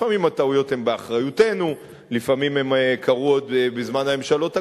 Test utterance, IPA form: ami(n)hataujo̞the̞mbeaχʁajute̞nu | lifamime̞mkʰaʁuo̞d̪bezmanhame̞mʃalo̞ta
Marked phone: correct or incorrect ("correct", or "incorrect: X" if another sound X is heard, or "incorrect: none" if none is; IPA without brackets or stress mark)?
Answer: incorrect: m